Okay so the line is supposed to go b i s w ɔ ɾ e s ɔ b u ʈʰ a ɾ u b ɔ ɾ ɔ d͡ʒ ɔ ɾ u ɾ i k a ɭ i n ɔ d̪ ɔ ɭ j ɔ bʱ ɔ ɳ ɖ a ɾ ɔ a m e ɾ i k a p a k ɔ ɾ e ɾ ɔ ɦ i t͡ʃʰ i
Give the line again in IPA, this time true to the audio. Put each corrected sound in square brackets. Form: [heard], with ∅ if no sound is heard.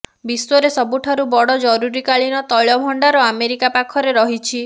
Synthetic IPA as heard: b i s w ɔ ɾ e s ɔ b u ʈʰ a ɾ u b ɔ [ɽ] ɔ d͡ʒ ɔ ɾ u ɾ i k a ɭ i n ɔ [t̪] ɔ ɭ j ɔ bʱ ɔ ɳ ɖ a ɾ ɔ a m e ɾ i k a p a [kʰ] ɔ ɾ e ɾ ɔ ɦ i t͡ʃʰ i